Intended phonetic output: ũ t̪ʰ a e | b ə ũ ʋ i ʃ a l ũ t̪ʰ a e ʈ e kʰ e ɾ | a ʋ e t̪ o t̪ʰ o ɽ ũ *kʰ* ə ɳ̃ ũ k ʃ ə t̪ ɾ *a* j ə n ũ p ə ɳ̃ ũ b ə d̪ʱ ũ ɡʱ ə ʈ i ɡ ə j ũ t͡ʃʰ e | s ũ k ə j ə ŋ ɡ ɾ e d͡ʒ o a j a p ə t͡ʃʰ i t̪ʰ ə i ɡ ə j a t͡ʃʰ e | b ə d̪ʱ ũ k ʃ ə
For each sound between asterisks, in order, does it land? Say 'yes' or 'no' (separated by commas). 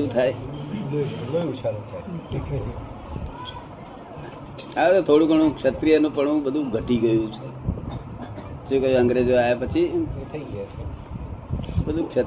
no, no